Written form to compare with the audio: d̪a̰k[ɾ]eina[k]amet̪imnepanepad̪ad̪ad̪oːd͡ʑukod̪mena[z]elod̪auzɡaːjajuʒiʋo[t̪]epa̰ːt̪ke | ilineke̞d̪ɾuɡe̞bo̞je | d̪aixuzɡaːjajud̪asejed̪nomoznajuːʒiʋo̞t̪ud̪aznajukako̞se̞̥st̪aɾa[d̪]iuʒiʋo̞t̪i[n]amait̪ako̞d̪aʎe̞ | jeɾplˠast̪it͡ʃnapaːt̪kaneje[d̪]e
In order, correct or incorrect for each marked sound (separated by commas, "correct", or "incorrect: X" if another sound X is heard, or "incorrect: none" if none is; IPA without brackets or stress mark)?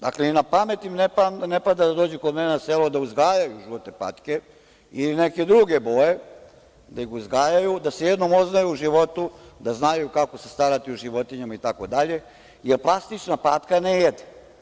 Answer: incorrect: l, incorrect: p, incorrect: s, correct, incorrect: t̪, incorrect: ɲ, correct